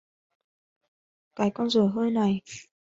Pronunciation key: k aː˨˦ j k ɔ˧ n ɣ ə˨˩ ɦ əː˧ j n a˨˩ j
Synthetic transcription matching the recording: k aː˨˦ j k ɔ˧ n z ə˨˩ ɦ əː˧ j n a˨˩ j